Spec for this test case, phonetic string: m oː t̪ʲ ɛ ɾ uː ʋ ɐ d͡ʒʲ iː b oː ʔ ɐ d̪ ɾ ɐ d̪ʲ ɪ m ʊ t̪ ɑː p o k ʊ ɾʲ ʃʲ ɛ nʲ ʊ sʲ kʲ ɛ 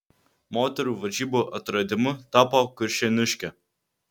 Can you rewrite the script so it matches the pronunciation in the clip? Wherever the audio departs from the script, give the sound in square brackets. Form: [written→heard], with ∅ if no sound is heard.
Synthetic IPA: m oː t̪ʲ ɛ ɾ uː ʋ ɐ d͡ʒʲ iː b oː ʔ ɐ [d̪→t̪] ɾ ɐ d̪ʲ ɪ m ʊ t̪ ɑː p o k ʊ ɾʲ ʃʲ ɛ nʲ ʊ [sʲ→ʃʲ] kʲ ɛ